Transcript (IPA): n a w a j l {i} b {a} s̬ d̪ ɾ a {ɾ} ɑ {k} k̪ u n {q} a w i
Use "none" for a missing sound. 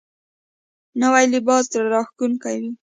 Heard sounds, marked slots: ɪ, ɑ, ɾ, x, k

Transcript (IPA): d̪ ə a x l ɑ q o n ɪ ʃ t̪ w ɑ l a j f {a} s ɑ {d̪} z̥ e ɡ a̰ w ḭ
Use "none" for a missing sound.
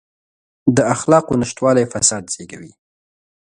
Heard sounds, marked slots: a, d̪

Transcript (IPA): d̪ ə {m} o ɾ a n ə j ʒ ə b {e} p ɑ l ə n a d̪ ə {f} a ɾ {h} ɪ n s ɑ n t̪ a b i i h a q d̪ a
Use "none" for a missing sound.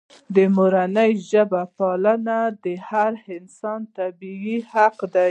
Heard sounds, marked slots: m, a, h, h

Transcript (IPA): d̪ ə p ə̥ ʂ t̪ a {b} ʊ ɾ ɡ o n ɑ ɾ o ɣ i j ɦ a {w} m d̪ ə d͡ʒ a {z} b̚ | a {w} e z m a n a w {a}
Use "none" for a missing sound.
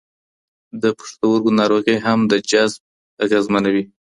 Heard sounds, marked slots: w, none, z, ɣ, i

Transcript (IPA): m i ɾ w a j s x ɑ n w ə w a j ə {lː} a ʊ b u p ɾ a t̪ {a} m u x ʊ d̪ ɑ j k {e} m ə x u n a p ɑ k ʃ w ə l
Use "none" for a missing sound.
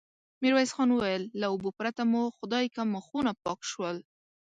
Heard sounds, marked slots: lː, a, a

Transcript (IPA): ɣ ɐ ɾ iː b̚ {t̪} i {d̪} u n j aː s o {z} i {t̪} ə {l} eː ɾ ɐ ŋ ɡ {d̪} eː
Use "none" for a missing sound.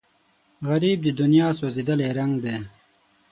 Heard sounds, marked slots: d̪, d̪, z, d̪, l, d̪

